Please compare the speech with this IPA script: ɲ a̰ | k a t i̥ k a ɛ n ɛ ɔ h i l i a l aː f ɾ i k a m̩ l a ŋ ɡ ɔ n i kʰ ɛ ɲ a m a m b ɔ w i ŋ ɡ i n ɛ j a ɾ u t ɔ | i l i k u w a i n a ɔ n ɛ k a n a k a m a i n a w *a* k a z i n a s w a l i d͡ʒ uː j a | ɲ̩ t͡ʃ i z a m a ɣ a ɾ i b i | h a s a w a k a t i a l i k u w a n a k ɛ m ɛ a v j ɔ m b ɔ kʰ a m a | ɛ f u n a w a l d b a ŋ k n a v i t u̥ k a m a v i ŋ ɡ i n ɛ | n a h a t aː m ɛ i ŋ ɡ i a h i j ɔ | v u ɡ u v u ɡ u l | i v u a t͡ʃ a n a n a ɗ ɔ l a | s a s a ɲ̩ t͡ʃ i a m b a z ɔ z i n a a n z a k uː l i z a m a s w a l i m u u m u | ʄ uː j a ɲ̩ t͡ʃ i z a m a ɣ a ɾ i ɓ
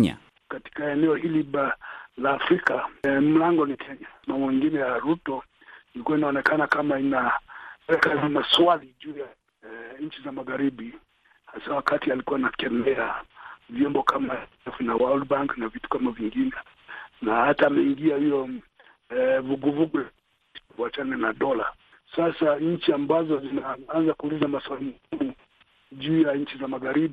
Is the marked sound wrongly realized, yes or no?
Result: yes